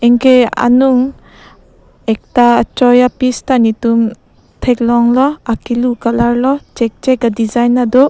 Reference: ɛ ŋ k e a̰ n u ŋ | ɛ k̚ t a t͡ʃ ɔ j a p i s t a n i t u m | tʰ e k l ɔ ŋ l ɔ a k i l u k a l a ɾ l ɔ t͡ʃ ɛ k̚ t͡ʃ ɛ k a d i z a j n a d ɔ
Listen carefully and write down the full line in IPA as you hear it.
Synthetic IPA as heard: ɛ ŋ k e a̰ n u ŋ | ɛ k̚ t a t͡ʃ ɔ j a p i s t a n i t u m | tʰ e k l ɔ ŋ l ɔ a k i l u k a l a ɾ l ɔ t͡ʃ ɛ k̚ t͡ʃ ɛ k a d i z a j n a d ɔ